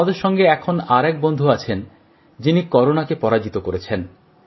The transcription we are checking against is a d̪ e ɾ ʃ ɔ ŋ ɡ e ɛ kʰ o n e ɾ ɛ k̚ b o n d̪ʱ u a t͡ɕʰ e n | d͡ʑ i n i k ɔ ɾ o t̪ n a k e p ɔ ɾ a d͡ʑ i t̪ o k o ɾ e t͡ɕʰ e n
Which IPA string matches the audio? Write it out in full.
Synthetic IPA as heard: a d̪ e ɾ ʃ ɔ ŋ ɡ e ɛ kʰ o n a ɾ ɛ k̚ b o n d̪ʱ u a t͡ɕʰ e n | d͡ʑ i n i k ɔ ɾ o n a k e p ɔ ɾ a d͡ʑ i t̪ o k o ɾ e t͡ɕʰ e n